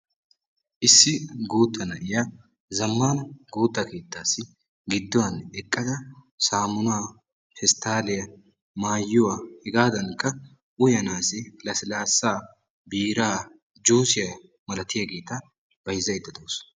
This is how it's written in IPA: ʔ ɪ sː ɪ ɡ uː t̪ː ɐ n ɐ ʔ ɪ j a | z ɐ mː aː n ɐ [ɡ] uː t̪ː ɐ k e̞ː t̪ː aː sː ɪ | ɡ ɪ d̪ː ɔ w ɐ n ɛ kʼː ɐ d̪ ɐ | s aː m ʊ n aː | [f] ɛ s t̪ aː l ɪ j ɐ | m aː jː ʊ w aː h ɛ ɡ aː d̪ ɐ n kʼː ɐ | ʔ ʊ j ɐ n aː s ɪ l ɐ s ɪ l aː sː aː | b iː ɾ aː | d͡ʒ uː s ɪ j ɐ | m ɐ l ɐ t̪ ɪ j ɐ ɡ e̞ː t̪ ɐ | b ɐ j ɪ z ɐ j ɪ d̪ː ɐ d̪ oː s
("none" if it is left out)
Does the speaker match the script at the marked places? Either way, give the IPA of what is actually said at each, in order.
ɡ, f

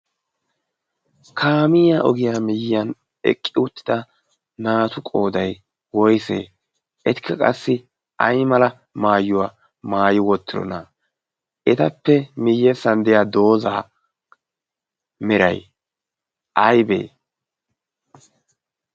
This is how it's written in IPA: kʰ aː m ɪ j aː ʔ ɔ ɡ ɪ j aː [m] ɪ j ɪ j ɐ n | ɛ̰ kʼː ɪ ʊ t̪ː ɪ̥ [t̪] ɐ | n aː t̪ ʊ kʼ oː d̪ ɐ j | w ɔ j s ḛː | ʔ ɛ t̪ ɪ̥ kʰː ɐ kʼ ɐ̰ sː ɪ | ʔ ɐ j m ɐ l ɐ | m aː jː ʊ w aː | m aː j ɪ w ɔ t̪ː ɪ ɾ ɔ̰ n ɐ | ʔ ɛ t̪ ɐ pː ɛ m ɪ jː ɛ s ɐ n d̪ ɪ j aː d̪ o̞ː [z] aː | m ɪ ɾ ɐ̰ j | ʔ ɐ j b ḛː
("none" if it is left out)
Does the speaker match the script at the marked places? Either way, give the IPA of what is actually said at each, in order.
m, d̪, z

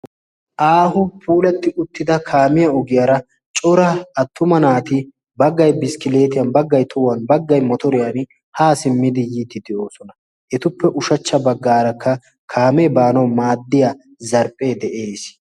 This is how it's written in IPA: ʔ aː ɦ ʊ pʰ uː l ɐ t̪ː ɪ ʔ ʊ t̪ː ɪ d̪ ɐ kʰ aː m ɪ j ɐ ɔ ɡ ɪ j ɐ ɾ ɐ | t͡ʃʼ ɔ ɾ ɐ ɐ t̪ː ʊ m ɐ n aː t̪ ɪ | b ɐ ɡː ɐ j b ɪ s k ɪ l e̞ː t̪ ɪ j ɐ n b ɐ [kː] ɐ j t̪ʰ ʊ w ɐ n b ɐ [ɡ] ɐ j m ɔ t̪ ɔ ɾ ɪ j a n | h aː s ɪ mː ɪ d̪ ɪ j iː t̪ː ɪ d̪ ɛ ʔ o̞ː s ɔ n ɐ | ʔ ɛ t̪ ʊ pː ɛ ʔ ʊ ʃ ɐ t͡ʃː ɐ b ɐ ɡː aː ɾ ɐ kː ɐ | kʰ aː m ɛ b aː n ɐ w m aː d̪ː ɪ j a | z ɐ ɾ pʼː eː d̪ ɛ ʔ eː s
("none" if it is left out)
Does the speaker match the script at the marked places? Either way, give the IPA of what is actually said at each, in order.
ɡː, ɡː

